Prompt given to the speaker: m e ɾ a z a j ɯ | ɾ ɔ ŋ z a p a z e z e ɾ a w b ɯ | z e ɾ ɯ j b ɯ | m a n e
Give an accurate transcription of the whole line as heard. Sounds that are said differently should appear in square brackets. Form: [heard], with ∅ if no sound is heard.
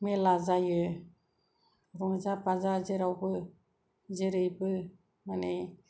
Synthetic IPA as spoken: m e [l] a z a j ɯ | ɾ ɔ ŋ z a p a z [a] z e ɾ a w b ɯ | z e ɾ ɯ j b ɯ | m a n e